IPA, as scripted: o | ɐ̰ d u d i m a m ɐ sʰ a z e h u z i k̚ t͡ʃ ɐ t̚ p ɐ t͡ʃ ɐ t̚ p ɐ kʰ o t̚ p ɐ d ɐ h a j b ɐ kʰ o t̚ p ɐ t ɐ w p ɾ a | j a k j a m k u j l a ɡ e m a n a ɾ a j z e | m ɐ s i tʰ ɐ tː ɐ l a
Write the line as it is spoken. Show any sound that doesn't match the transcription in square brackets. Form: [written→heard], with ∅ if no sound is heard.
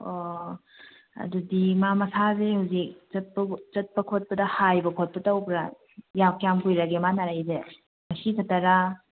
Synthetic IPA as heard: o | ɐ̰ d u d i m a m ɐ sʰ a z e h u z i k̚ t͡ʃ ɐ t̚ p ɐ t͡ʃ ɐ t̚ p ɐ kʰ o t̚ p ɐ d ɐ h a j b ɐ kʰ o t̚ p ɐ t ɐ w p ɾ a | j a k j a m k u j [l→ɾ] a ɡ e m a n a ɾ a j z e | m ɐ s i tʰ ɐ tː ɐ [l→ɾ] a